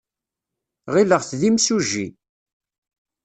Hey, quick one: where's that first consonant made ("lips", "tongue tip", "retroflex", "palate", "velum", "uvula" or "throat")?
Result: uvula